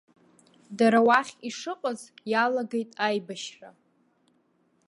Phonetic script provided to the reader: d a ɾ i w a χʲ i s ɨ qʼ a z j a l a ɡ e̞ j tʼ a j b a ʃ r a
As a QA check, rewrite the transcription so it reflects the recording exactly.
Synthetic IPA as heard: d a ɾ a w a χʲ i ʂ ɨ qʼ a z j a l a ɡ e̞ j tʼ a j b a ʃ r a